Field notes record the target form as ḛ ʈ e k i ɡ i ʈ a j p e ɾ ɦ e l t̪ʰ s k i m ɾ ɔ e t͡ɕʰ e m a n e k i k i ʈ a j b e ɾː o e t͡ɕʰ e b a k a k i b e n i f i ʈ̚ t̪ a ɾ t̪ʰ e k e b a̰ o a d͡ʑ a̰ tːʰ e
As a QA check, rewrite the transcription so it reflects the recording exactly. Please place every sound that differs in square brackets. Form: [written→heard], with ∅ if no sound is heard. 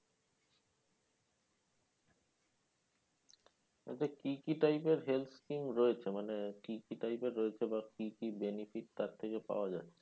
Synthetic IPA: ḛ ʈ e k i [ɡ→k] i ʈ a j p e ɾ ɦ e l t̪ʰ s k i m ɾ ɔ e t͡ɕʰ e m a n e k i k i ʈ a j [b→p] e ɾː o e t͡ɕʰ e b a k [a→i] k i b e n i f i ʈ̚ t̪ a ɾ t̪ʰ e k e [b→p] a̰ o a d͡ʑ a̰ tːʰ e

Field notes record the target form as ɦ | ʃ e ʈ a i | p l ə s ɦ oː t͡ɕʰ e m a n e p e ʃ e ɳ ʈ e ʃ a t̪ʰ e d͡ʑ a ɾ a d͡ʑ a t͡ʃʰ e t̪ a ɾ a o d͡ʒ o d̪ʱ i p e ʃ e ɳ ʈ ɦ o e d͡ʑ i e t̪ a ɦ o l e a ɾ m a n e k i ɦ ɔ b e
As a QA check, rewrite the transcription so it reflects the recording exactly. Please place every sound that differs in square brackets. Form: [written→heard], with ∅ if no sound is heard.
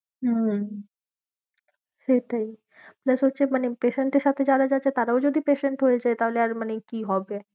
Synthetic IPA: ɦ | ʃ e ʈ a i | p l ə s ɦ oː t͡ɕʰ e m a n e p e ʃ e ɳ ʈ e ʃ a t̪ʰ e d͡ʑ a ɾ a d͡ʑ a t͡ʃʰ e t̪ a ɾ a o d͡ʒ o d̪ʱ i p e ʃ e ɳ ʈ ɦ o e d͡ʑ [i→a] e t̪ a ɦ o l e a ɾ m a n e k i ɦ ɔ b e

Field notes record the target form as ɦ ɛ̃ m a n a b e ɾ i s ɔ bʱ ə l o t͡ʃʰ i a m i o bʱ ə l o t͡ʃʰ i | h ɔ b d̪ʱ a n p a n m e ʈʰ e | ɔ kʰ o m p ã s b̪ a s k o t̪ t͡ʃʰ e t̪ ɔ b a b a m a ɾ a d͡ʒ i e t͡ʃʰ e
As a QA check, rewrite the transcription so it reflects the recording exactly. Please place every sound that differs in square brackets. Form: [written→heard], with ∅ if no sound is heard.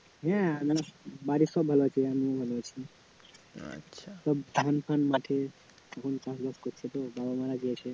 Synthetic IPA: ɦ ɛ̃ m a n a b [e→a] ɾ i s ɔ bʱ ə l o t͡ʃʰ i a m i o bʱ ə l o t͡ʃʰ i | [h→s] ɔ b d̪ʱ a n p a n m [e→a] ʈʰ e | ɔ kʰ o [m→n] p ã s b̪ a s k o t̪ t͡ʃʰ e t̪ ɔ b a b a m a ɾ a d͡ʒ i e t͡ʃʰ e

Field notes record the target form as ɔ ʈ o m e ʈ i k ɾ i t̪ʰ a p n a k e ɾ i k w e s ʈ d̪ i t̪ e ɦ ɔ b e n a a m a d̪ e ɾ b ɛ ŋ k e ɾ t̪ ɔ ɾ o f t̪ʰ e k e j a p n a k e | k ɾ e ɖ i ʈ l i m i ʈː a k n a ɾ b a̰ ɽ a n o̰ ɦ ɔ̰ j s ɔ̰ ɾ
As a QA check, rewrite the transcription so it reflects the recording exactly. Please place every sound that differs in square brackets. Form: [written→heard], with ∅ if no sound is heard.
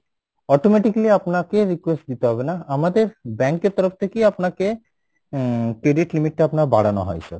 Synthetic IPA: ɔ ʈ o m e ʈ i k [ɾ→l] i [t̪ʰ→∅] a p n a k e ɾ i k w e s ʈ d̪ i t̪ e ɦ ɔ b e n a a m a d̪ e ɾ b ɛ ŋ k e ɾ t̪ ɔ ɾ o f t̪ʰ e k e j a p n a k e | k ɾ e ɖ i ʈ l i m i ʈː a [k→p] n a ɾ b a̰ ɽ a n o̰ ɦ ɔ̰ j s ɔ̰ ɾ

